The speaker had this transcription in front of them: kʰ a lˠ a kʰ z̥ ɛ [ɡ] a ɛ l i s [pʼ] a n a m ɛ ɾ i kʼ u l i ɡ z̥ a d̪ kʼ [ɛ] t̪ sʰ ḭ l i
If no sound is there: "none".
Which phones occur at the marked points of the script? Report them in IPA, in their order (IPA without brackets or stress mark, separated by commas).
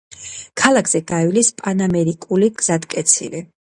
ɡ, pʼ, ɛ